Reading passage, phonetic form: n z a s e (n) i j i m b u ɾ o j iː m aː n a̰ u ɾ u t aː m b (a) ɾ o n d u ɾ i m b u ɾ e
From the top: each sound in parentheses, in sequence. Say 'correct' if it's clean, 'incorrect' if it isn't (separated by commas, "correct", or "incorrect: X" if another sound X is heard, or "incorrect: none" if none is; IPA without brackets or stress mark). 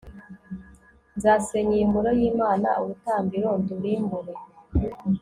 incorrect: ɲ, incorrect: i